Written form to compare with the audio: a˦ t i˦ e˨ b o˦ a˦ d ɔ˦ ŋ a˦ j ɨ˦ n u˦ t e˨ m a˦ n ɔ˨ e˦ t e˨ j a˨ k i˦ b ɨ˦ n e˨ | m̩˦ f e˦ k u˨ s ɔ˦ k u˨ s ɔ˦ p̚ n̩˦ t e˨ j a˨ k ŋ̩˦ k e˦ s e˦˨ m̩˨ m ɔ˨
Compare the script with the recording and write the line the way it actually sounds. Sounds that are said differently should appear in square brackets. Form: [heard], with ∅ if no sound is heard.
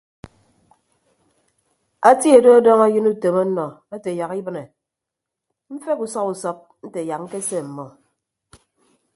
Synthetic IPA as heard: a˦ t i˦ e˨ [d] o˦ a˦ d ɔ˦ ŋ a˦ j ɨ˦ n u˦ t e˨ m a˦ n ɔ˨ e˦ t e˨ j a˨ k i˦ b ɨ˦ n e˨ | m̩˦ f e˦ k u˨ s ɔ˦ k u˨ s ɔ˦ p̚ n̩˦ t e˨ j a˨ k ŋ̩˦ k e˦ s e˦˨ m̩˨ m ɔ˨